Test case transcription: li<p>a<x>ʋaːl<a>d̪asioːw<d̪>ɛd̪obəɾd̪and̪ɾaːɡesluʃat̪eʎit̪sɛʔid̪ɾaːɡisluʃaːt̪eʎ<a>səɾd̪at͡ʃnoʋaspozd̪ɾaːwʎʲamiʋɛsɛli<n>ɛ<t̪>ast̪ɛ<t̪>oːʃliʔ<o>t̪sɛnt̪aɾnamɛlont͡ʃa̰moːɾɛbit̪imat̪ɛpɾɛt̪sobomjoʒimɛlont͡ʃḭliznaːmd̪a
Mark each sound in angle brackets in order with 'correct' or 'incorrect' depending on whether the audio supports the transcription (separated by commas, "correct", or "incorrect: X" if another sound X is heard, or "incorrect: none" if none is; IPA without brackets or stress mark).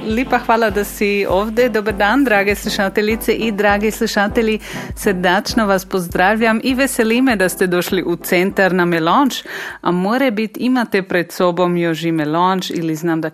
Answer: correct, correct, correct, correct, incorrect: i, incorrect: m, incorrect: d̪, incorrect: d̪, incorrect: u